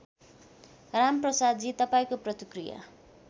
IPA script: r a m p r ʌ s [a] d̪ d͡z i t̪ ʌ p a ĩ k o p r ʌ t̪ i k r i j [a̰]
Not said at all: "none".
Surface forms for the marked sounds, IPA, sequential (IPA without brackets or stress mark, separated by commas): a, a̰